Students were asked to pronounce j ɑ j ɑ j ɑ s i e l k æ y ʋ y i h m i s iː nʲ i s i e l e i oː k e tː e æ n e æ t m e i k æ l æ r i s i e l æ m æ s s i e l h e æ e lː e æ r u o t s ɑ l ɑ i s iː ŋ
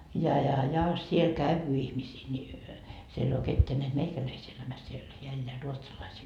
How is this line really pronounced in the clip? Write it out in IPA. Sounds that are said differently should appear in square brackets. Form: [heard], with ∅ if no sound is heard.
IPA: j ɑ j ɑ j ɑ s i e l k æ y ʋ y i h m i s iː nʲ i s i e l e i oː k e tː e æ n e æ t m e i k æ l æ [∅] i s i e l æ m æ s s i e l h e æ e lː e æ r u o t s ɑ l ɑ i s iː ŋ